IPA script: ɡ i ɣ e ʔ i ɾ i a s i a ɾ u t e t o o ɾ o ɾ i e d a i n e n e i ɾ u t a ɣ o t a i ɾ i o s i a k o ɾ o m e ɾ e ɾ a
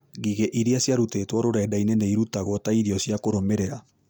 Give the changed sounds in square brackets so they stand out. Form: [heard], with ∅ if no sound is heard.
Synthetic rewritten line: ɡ i ɣ e ʔ i ɾ i a s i a ɾ u t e t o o ɾ o ɾ [a] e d a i n e n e i ɾ u t a ɣ o t a i ɾ i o s i a k o ɾ o m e ɾ e ɾ a